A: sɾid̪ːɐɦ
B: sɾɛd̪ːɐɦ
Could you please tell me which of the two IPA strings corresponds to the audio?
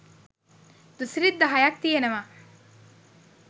A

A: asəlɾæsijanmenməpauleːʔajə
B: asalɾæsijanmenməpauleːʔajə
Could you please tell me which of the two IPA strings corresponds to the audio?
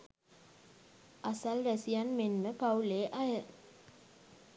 B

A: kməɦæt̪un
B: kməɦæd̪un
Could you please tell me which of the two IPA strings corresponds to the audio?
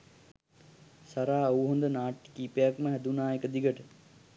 B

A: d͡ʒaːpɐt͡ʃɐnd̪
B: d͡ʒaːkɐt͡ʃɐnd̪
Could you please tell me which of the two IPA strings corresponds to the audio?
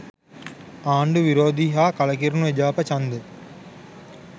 A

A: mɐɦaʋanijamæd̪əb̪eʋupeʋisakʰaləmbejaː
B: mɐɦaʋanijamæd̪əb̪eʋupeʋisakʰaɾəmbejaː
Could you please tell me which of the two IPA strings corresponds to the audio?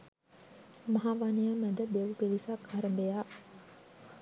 B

